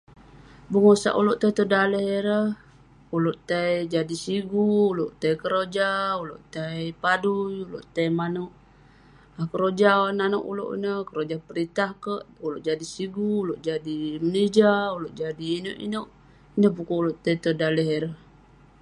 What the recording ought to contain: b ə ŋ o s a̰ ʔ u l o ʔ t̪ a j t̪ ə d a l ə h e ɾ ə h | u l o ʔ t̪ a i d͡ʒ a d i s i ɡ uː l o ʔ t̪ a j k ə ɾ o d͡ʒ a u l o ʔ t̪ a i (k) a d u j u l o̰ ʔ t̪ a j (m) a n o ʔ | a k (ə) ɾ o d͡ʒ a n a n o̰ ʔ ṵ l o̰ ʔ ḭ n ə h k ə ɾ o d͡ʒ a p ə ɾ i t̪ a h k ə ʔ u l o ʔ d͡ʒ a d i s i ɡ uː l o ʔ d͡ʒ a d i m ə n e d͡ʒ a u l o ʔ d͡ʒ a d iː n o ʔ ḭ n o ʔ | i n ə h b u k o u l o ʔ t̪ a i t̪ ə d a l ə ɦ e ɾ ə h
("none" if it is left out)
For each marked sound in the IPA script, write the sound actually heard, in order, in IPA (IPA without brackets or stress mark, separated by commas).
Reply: p, m, ə